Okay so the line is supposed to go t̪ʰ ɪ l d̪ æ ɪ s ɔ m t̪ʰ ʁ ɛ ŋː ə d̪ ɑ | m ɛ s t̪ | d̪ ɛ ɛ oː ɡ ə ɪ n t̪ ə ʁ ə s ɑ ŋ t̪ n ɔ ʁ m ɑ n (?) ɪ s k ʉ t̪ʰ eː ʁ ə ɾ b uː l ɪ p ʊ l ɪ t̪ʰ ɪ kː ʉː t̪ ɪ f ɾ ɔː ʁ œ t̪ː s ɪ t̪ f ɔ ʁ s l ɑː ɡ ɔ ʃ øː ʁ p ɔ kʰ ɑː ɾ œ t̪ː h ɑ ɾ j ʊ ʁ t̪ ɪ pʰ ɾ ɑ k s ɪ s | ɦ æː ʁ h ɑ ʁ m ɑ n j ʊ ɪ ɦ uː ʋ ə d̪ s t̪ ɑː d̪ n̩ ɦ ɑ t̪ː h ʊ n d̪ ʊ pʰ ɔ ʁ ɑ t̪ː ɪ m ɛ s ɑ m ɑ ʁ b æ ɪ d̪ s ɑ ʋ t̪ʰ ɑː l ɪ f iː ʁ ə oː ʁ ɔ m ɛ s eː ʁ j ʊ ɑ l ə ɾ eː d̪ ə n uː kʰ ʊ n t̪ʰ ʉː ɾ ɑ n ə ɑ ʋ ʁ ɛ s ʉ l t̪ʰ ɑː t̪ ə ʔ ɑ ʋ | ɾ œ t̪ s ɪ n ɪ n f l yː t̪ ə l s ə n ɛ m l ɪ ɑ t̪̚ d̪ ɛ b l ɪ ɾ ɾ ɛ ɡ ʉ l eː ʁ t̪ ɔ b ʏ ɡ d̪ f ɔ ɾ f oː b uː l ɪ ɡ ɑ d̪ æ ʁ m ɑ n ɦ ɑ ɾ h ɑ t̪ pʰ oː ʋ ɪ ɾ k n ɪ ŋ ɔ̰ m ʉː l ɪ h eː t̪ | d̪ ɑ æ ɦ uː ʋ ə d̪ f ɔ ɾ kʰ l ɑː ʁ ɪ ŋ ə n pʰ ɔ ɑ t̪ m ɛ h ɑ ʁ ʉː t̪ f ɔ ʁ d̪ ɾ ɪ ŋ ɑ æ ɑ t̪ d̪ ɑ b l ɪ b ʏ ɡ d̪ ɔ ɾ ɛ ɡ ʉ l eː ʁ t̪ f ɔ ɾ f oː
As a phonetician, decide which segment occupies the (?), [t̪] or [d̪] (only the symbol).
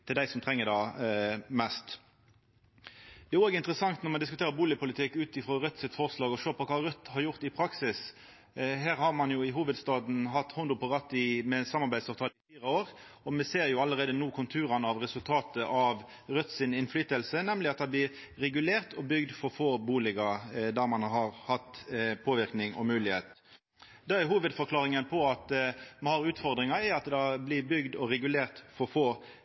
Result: d̪